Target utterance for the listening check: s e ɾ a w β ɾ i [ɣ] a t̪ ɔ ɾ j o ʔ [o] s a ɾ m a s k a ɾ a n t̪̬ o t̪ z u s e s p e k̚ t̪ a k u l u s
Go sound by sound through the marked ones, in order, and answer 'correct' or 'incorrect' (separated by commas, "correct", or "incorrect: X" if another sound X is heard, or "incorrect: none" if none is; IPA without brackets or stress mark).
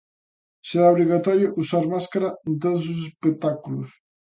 correct, incorrect: u